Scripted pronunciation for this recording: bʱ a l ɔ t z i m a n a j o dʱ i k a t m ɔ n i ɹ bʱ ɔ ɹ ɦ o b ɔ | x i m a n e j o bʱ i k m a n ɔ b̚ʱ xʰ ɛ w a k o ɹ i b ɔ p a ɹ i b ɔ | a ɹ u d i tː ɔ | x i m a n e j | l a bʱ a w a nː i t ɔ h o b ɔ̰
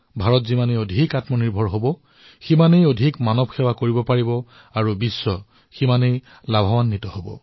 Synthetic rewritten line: bʱ a ɹ ɔ t z i m a n e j o dʱ i k a t m ɔ n i ɹ bʱ ɔ ɹ ɦ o b ɔ | x i m a n e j o dʱ i k m a n ɔ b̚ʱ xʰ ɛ w a k o ɹ i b ɔ p a ɹ i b ɔ | a ɹ u b i sː ɔ | x i m a n e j | l a bʱ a w a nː i t ɔ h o b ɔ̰